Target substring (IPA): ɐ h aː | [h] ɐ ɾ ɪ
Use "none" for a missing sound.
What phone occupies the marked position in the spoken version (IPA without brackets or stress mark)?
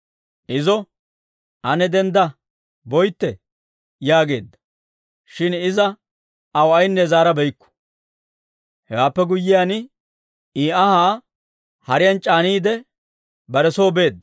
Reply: h